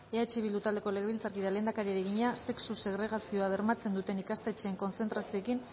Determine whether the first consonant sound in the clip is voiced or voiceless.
voiceless